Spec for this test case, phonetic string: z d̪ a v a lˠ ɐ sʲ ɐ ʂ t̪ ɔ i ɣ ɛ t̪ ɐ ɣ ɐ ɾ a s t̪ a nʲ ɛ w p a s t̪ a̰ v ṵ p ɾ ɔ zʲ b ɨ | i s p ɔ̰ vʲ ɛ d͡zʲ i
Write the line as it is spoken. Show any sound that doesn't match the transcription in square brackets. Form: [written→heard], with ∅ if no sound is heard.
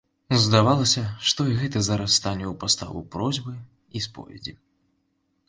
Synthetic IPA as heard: z d̪ a v a lˠ ɐ sʲ ɐ ʂ t̪ ɔ i ɣ ɛ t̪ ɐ [ɣ→z] ɐ ɾ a s t̪ a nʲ ɛ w p a s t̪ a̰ v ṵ p ɾ ɔ zʲ b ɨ | i s p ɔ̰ vʲ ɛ d͡zʲ i

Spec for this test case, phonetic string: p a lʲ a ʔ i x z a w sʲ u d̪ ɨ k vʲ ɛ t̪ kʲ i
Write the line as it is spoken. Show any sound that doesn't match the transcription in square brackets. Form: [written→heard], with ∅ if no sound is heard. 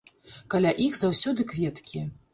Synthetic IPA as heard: [p→k] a lʲ a ʔ i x z a w sʲ [u→ɔ] d̪ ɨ k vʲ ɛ t̪ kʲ i

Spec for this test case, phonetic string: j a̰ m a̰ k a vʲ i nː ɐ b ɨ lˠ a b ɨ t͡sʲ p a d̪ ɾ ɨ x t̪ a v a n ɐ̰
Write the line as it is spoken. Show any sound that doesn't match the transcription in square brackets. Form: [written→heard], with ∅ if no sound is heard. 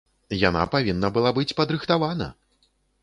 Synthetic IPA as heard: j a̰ [m→n] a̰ [k→p] a vʲ i nː ɐ b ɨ lˠ a b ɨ t͡sʲ p [a→ɐ] d̪ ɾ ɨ x t̪ a v a n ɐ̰

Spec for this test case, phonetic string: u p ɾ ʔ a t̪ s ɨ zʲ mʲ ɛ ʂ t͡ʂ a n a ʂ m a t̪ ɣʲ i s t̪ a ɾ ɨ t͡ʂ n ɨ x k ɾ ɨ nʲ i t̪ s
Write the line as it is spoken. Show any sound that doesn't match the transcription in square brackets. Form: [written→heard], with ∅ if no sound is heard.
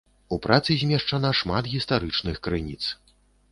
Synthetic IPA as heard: u p ɾ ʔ a t̪ s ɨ zʲ mʲ ɛ ʂ t͡ʂ a n a ʂ m a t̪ ɣʲ i s t̪ a ɾ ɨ t͡ʂ n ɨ x k ɾ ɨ nʲ i t̪ s

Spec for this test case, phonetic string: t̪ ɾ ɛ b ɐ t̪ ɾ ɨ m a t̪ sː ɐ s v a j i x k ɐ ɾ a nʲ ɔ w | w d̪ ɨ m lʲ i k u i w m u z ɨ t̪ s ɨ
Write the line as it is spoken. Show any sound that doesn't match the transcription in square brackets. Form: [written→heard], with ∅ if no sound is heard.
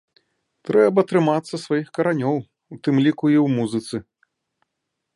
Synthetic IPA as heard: t̪ ɾ ɛ b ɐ t̪ ɾ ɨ m a t̪ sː ɐ s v a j i x k ɐ ɾ a nʲ ɔ w | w [d̪→t̪] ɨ m lʲ i k u i w m u z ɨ t̪ s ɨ

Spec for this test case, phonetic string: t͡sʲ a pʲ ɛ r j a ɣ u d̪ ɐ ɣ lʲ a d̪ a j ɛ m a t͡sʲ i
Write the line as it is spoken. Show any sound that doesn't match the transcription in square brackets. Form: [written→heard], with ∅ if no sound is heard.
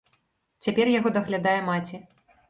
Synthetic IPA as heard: t͡sʲ a pʲ ɛ r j a ɣ [u→ɔ] d̪ ɐ ɣ lʲ a d̪ a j ɛ m a t͡sʲ i

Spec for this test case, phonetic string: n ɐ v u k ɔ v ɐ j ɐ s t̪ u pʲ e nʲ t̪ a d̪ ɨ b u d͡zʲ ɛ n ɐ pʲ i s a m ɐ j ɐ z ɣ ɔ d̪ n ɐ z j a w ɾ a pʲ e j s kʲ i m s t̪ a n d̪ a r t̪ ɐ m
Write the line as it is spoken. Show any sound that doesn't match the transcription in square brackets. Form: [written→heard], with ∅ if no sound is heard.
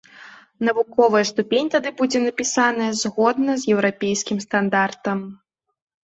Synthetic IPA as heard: n ɐ v u k ɔ v ɐ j ɐ s t̪ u pʲ e nʲ t̪ a d̪ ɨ b u d͡zʲ ɛ n ɐ pʲ i s a [m→n] ɐ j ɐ z ɣ ɔ d̪ n ɐ z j [a→ɛ] w ɾ a pʲ e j s kʲ i m s t̪ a n d̪ a r t̪ ɐ m

